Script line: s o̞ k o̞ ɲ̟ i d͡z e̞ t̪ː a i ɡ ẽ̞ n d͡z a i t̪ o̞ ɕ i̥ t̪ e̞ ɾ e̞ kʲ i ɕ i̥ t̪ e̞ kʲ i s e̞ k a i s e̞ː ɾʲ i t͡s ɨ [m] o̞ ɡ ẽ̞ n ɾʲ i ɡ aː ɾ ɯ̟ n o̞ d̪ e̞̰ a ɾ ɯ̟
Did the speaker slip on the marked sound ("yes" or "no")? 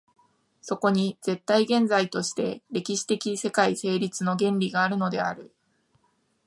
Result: yes